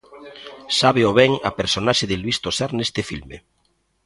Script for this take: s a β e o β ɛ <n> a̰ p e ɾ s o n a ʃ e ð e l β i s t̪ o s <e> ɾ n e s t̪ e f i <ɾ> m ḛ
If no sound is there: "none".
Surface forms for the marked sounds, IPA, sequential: ŋ, a, l

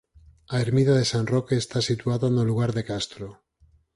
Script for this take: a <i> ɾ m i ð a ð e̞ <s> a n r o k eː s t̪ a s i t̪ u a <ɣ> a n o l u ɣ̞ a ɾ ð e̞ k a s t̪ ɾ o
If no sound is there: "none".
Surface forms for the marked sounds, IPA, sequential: e, s, ð

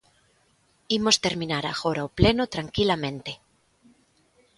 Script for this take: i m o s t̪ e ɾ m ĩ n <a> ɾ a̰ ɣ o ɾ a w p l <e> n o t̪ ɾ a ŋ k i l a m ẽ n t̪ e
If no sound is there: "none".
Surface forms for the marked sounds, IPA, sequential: a, e

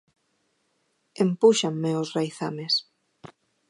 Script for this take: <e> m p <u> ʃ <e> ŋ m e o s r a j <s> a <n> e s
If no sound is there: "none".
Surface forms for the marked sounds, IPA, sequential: e, u, a, θ, m

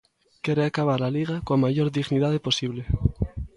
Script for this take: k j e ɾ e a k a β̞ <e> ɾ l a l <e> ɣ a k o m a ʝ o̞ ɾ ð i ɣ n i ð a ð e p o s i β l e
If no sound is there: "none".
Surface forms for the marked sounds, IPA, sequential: a, i

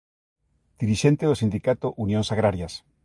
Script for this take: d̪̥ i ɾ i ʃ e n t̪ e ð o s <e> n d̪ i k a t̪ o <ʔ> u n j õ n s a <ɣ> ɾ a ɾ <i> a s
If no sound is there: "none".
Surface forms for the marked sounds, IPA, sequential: i, ʔ, ɣ, j

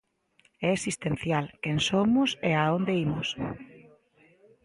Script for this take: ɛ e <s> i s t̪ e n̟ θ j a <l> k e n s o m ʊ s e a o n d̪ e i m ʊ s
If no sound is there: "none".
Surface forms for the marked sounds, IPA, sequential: s, l

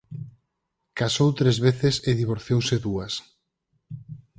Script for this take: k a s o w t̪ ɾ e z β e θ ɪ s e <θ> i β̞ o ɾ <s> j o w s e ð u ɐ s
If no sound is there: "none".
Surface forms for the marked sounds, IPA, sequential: ð, θ

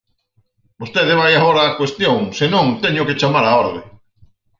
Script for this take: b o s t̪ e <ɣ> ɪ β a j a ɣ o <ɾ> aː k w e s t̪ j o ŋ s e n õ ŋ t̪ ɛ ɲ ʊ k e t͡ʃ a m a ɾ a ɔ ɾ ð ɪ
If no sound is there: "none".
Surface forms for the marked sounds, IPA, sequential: ð, ɾ

